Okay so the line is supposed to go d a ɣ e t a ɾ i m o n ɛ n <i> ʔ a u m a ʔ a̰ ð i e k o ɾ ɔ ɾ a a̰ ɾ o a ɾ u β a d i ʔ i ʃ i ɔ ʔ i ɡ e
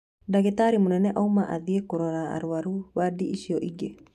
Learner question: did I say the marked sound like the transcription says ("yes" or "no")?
no